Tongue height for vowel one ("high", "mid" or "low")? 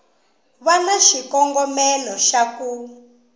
low